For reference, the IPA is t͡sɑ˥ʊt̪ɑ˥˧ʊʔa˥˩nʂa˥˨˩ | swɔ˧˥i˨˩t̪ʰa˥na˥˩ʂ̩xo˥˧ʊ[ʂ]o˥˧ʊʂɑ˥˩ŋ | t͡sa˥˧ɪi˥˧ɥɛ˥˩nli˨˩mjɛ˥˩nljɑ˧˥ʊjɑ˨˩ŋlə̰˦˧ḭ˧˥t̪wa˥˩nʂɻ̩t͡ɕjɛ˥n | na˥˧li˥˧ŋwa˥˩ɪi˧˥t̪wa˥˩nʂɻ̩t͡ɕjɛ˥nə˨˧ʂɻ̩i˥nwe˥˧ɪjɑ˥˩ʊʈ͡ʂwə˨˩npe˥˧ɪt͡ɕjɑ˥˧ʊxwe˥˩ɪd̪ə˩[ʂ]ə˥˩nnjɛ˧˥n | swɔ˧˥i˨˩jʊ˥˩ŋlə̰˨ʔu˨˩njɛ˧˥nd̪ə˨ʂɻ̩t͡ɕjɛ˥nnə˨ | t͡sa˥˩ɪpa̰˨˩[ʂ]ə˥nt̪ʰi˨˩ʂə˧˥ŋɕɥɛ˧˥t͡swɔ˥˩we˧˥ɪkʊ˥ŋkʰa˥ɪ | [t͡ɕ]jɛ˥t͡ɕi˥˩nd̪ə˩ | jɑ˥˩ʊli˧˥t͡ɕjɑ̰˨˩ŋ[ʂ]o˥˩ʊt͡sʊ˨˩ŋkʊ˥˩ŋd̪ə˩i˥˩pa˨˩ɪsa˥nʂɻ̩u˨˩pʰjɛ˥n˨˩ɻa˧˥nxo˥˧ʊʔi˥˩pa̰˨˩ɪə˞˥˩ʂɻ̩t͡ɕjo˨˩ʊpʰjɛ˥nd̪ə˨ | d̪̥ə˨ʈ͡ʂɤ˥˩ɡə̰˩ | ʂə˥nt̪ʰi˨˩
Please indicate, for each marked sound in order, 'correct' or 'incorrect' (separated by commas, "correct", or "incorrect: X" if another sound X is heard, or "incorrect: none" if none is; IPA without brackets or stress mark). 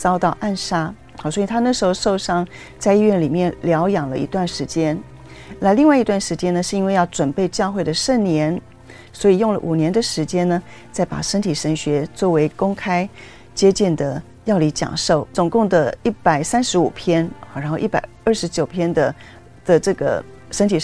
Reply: correct, correct, correct, correct, correct